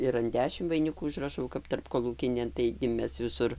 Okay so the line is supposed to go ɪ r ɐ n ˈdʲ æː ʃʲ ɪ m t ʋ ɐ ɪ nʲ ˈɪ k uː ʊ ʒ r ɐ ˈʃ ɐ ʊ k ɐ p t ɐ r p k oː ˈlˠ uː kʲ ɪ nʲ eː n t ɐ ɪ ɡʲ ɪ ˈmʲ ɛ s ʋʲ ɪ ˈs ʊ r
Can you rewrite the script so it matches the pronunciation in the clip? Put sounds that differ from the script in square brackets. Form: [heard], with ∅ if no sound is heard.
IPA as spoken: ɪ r ɐ n ˈdʲ æː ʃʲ ɪ m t ʋ ɐ ɪ nʲ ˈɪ k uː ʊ ʒ r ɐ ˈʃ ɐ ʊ k ɐ p t ɐ r p k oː ˈlˠ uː kʲ ɪ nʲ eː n t ɐ ɪ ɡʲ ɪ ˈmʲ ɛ s ʋʲ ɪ ˈs ʊ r